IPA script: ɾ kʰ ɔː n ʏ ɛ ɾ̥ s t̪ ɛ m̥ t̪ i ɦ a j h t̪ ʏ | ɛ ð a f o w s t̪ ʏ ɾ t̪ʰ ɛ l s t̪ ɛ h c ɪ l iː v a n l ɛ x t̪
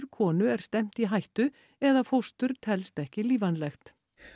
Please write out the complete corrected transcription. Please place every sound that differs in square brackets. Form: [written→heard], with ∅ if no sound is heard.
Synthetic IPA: ɾ kʰ ɔː n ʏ ɛ ɾ̥ s t̪ ɛ m̥ t̪ i ɦ a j h t̪ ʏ | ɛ ð a f o w s t̪ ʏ ɾ t̪ʰ ɛ l s t̪ ɛ h c ɪ l iː v a n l ɛ x t̪